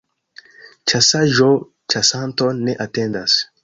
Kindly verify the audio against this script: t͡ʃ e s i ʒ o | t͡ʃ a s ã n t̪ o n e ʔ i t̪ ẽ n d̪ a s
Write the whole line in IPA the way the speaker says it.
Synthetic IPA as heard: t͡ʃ a s a ʒ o | t͡ʃ a s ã n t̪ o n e ʔ a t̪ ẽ n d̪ a s

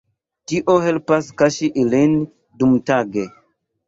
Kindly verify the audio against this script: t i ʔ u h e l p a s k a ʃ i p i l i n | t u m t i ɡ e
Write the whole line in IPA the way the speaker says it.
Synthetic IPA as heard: t i ʔ o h e l p a s k a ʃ i ʔ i l i n | d u m t a ɡ e

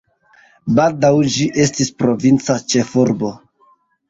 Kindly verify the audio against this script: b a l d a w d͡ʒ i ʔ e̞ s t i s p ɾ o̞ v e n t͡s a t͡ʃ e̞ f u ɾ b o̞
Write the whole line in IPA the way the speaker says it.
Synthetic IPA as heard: b a l d a w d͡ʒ i ʔ e̞ s t i s p ɾ o̞ v i n t͡s a t͡ʃ e̞ f u ɾ b o̞

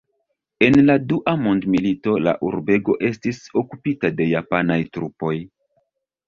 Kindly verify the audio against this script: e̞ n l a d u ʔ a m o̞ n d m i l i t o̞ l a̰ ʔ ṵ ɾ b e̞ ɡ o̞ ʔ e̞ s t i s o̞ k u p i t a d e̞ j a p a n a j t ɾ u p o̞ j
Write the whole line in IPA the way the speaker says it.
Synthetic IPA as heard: e̞ n l a d u ʔ a m o̞ n d m i l i t o̞ l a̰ ʔ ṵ ɾ b e̞ ɡ o̞ ʔ e̞ s t i s o̞ k u p i t a d e̞ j a p a n a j t ɾ u p o̞ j

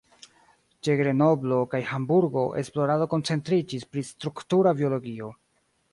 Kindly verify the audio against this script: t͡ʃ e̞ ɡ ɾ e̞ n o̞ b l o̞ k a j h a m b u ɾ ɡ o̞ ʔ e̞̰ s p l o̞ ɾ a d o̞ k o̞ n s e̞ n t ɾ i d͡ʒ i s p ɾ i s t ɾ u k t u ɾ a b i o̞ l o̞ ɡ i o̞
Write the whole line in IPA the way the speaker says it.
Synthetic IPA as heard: t͡ʃ e̞ ɡ ɾ e̞ n o̞ b l o̞ k a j h a m b u ɾ ɡ o̞ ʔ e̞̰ s p l o̞ ɾ a d o̞ k o̞ n t͡s e̞ n t ɾ i d͡ʒ i s p ɾ i s t ɾ u k t u ɾ a b i o̞ l o̞ ɡ i o̞

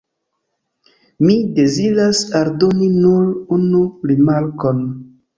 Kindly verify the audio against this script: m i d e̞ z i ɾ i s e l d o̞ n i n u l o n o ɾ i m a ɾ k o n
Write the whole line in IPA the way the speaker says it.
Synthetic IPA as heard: m i d e̞ z i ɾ a s a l d o̞ n i n u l u n u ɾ i m a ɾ k o n

